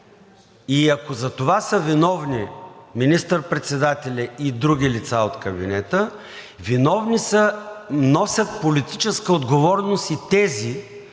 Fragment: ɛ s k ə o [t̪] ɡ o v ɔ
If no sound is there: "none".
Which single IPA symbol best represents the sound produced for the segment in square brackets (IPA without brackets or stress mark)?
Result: d̪